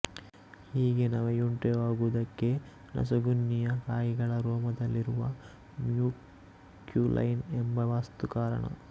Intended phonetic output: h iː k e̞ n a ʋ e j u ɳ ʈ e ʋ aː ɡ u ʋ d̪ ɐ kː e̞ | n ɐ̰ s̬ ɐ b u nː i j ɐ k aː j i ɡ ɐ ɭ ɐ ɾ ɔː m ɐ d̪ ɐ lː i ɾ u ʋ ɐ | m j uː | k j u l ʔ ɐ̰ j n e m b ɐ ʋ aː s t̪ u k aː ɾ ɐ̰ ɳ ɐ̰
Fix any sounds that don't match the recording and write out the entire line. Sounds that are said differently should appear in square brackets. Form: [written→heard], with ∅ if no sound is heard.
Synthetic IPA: h iː [k→ɡ] e̞ n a ʋ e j u ɳ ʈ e ʋ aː ɡ u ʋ d̪ ɐ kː e̞ | n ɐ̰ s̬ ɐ [b→ɡ] u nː i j ɐ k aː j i ɡ ɐ ɭ ɐ ɾ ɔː m ɐ d̪ ɐ lː i ɾ u ʋ ɐ | m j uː | k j u l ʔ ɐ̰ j n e m b ɐ ʋ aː s t̪ u k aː ɾ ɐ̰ ɳ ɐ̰